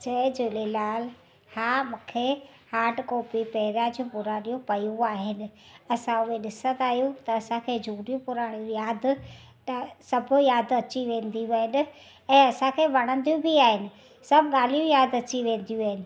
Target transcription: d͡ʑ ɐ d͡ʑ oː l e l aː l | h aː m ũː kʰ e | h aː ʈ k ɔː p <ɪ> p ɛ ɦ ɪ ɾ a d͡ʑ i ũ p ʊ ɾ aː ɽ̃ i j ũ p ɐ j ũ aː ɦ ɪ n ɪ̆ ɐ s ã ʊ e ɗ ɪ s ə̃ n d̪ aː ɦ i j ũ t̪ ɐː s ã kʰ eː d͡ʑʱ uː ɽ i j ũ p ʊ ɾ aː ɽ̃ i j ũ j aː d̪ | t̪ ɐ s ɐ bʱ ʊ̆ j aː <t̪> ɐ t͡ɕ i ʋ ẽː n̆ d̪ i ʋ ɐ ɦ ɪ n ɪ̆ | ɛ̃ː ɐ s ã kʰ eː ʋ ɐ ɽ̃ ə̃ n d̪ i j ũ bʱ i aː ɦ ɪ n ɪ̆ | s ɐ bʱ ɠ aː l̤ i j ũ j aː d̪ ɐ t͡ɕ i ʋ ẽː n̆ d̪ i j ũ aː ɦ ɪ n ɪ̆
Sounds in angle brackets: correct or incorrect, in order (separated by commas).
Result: incorrect, incorrect